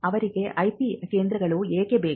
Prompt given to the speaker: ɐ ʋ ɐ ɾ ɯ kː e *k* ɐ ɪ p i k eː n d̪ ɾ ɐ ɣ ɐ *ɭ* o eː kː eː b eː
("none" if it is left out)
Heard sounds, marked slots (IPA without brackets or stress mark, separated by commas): ʔ, ɭ